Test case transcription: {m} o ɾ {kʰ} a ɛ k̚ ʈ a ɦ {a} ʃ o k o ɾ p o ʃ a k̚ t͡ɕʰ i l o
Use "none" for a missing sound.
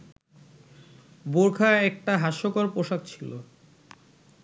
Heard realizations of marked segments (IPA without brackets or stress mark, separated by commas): b, kʰ, a